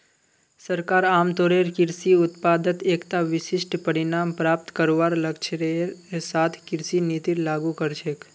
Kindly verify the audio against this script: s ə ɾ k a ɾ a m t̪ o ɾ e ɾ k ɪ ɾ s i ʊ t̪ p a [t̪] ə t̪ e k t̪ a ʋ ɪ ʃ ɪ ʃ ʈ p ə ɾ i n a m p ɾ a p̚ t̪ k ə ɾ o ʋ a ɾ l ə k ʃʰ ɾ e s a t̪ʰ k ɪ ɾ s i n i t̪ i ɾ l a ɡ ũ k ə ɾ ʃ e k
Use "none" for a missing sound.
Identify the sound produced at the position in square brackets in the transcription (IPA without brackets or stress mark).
d̪